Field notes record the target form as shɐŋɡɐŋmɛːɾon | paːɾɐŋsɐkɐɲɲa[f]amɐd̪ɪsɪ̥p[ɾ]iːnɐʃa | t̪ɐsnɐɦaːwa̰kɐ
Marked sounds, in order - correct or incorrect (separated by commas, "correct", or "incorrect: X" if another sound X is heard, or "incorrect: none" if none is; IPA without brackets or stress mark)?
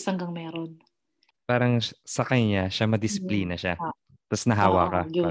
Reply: incorrect: ʃ, incorrect: l